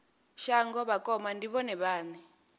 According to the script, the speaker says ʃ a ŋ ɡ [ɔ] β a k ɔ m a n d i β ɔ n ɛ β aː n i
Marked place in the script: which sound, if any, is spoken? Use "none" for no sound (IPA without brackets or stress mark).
ɔ